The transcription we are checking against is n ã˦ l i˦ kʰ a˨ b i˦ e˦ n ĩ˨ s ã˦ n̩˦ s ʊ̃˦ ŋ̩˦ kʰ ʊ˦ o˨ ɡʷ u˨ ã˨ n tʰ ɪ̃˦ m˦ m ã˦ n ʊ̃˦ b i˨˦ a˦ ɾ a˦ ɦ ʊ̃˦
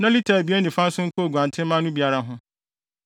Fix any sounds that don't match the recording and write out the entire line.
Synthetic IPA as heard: n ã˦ l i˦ tʰ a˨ b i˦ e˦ n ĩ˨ f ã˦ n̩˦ s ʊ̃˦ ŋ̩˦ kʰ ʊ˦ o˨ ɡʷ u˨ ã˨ n tʰ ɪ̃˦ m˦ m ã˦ n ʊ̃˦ b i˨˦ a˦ ɾ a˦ ɦ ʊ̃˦